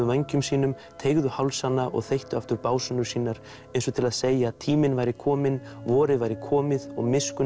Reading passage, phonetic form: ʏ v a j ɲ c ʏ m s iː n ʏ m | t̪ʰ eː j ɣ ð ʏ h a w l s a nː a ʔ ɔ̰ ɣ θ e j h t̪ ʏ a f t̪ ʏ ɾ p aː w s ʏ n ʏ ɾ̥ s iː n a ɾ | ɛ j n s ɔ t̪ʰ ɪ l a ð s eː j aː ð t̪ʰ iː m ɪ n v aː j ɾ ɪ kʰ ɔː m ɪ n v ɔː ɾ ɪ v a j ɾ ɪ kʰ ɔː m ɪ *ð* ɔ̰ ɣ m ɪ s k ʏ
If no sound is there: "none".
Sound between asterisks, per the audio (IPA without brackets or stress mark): ð